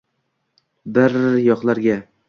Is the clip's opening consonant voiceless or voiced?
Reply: voiced